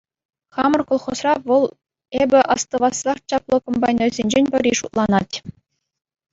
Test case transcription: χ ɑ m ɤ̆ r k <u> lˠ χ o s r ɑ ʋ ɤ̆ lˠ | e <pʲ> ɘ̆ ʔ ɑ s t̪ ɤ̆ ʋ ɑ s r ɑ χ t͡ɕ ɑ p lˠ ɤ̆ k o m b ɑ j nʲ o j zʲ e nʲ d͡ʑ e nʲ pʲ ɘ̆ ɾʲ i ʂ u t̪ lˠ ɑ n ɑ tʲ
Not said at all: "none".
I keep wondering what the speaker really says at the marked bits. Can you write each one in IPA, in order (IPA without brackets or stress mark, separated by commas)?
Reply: o, bʲ